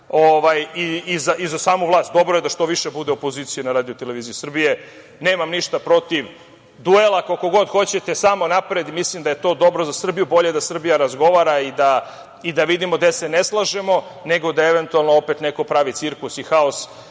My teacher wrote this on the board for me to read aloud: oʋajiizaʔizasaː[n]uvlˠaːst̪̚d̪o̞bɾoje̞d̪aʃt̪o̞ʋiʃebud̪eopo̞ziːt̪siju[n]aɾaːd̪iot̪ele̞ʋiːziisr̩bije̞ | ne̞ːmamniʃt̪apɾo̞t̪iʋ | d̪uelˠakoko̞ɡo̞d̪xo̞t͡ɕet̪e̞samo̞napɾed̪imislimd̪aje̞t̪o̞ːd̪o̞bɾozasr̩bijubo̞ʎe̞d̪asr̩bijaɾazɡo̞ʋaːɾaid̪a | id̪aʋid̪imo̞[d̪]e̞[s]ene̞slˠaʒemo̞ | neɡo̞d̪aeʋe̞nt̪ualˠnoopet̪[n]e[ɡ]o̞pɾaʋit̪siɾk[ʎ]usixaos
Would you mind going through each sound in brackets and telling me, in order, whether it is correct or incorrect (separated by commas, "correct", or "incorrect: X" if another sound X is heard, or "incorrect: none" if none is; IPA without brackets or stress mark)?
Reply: incorrect: m, correct, correct, correct, correct, incorrect: k, incorrect: l